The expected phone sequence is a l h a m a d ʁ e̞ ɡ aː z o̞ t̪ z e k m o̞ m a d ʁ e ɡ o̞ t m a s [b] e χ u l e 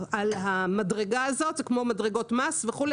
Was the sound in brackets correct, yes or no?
no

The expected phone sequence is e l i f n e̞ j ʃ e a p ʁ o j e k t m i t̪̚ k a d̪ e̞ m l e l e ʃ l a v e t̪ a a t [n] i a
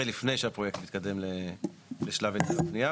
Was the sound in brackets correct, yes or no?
yes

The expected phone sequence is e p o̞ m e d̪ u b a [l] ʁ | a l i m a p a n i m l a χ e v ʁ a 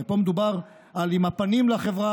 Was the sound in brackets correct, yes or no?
no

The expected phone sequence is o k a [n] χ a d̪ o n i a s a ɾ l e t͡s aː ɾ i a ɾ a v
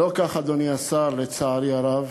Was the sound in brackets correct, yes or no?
no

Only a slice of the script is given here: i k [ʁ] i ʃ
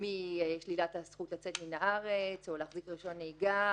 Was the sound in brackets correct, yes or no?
yes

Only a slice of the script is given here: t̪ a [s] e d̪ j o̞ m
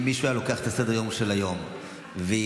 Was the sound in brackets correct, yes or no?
yes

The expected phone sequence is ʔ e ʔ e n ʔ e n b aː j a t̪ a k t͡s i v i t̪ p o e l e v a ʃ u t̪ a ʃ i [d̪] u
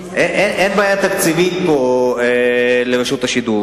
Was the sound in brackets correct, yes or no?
yes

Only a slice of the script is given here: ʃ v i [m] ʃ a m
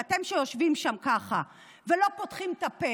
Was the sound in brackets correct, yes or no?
yes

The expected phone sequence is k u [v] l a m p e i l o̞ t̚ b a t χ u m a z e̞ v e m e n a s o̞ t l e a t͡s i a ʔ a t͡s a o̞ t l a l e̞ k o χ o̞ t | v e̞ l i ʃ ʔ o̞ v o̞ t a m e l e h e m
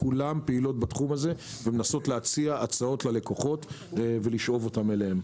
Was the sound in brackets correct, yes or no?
no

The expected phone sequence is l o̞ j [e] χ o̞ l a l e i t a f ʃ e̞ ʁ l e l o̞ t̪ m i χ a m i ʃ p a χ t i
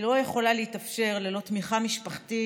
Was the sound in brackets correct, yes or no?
yes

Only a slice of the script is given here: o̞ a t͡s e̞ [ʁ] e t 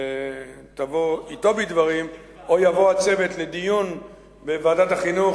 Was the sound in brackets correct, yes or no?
no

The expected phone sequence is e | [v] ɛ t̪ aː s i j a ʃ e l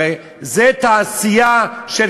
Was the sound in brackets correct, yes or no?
no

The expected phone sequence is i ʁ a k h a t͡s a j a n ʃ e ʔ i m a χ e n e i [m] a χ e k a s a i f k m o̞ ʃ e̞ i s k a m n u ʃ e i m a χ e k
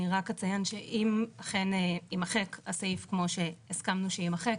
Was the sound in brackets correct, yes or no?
yes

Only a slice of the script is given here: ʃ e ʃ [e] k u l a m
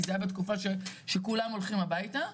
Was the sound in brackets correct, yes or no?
yes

